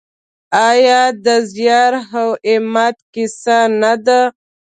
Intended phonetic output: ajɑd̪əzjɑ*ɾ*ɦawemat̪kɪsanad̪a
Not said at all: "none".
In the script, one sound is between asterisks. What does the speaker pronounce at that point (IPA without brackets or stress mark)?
ɾ